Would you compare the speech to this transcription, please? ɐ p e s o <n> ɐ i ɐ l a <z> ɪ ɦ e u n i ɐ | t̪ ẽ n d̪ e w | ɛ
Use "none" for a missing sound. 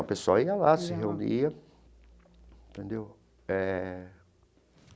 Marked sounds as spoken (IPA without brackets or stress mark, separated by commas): none, s